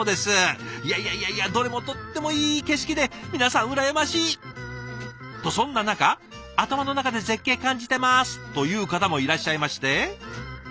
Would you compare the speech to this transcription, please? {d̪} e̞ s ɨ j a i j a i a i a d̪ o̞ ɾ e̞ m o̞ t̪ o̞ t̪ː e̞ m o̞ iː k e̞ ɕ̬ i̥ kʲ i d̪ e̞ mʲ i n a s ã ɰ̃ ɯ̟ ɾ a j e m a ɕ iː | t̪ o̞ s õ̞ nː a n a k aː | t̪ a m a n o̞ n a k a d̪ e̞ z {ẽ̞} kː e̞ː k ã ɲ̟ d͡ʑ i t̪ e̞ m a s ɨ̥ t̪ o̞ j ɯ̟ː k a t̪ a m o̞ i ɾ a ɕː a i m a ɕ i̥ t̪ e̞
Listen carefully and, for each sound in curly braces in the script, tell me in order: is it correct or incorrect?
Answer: correct, incorrect

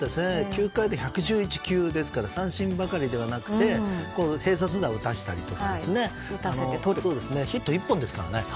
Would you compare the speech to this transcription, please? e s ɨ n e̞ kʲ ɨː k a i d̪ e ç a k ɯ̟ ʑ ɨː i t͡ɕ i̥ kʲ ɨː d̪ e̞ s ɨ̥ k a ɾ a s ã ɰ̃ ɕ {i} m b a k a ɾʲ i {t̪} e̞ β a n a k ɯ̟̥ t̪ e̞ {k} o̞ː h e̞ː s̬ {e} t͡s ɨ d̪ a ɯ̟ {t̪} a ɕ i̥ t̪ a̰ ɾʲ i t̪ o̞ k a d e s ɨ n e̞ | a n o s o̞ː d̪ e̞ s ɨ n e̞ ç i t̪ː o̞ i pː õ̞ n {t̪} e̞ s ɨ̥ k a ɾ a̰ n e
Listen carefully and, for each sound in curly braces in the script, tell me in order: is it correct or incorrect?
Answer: incorrect, incorrect, correct, incorrect, correct, incorrect

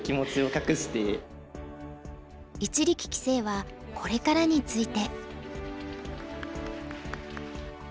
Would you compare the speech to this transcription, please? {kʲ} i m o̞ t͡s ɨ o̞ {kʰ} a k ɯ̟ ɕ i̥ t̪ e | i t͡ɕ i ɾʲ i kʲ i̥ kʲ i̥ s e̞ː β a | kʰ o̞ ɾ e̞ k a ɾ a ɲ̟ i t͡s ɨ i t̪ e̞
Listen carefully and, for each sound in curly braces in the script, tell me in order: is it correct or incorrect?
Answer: correct, incorrect

